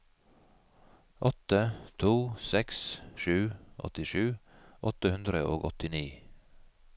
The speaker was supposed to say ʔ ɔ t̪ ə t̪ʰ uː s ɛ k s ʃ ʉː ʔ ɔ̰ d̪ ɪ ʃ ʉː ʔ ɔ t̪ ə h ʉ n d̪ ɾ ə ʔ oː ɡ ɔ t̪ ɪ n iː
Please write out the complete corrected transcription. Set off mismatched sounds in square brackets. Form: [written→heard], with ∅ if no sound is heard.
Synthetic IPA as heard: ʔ ɔ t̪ ə t̪ʰ uː s ɛ k s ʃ ʉː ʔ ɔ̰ [d̪→t̪] ɪ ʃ ʉː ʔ ɔ t̪ ə h ʉ n d̪ ɾ ə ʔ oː ɡ ɔ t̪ ɪ n iː